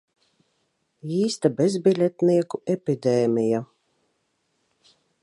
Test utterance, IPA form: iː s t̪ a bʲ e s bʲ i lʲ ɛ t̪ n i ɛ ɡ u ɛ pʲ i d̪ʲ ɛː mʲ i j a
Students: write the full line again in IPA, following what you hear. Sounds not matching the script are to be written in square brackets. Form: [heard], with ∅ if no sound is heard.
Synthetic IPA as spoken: iː s t̪ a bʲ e [z] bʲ i lʲ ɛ t̪ n i ɛ [k] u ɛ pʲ i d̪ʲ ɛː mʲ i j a